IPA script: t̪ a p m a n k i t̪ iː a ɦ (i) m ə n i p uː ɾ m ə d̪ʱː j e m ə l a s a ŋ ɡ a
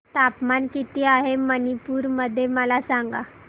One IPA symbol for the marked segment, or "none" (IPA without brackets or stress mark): e